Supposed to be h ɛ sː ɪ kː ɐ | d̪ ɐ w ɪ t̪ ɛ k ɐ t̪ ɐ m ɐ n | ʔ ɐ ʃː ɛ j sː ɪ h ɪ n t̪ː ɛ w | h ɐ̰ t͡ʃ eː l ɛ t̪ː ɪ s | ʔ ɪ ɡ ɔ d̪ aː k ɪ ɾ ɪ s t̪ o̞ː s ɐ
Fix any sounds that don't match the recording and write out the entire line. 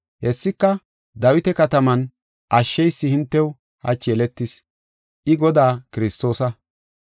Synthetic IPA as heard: h ɛ sː ɪ kː ɐ | d̪ ɐ w ɪ t̪ ɛ k ɐ t̪ ɐ m ɐ n | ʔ ɐ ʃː ɛ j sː ɪ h ɪ n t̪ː ɛ w | h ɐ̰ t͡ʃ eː l ɛ t̪ː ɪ s | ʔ ɪ ɡ ɔ d̪ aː k ɪ ɾ ɪ s t̪ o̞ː s ɐ